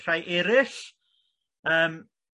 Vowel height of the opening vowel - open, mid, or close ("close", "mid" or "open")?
open